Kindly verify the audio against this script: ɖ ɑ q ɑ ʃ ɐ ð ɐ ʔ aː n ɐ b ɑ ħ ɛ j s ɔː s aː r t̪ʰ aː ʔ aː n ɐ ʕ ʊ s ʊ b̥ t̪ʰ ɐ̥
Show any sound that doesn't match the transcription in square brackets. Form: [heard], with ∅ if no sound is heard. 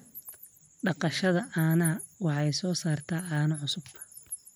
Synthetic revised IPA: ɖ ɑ q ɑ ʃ ɐ ð ɐ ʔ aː n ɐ [w] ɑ ħ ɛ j s ɔː s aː r t̪ʰ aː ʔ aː n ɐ ʕ ʊ s ʊ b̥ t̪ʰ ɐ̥